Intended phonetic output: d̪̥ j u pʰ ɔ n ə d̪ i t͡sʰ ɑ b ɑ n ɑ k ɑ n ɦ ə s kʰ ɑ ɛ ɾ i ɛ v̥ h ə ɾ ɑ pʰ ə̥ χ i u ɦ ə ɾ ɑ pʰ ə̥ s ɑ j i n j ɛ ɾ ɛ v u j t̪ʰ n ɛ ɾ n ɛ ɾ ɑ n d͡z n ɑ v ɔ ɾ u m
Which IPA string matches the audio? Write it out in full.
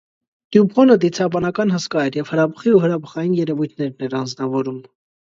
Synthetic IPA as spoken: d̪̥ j u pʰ ɔ n ə d̪ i t͡sʰ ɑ b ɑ n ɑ k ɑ n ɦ ə s k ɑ ɛ ɾ j ɛ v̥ h ə ɾ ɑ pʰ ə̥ χ i u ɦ ə ɾ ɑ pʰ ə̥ χ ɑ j i n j ɛ ɾ ɛ v u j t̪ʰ n ɛ ɾ n ɛ ɾ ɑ n d͡z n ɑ v ɔ ɾ u m